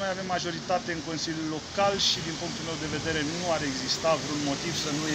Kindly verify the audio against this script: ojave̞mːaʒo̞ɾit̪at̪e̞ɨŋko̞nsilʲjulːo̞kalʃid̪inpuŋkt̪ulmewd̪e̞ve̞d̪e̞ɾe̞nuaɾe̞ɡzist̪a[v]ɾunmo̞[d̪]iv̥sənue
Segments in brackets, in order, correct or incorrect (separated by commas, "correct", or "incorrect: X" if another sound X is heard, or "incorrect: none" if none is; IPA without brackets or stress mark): correct, incorrect: t̪